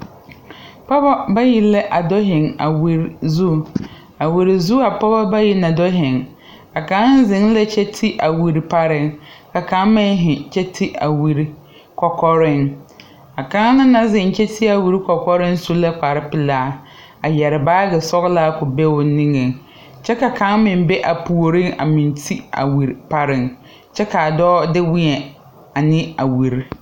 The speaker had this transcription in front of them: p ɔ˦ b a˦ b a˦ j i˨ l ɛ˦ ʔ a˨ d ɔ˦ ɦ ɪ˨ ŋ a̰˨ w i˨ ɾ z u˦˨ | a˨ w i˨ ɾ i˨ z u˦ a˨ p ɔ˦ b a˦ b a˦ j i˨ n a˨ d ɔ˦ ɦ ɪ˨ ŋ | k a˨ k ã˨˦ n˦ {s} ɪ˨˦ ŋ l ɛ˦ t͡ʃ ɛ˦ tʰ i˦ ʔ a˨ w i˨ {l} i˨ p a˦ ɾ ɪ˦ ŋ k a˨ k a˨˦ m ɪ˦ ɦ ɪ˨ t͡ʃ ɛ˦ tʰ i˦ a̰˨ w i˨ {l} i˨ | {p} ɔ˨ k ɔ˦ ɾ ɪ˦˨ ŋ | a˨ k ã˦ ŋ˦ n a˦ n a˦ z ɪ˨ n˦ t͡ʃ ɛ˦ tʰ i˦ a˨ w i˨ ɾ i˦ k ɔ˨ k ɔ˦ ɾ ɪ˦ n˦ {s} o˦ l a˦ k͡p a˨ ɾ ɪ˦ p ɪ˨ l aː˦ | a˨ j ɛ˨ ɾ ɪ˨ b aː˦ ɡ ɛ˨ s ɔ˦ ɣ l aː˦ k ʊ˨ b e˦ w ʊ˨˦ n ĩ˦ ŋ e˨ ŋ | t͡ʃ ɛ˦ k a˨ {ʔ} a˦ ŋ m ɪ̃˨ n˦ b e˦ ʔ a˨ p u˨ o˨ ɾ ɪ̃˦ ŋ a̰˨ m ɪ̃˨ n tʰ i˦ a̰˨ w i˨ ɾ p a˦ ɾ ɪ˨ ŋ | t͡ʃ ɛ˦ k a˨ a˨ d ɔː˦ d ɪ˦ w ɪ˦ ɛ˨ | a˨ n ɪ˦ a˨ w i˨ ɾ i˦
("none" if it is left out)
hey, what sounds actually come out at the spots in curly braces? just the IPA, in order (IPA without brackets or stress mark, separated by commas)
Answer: z, ɾ, ɾ, k, s, k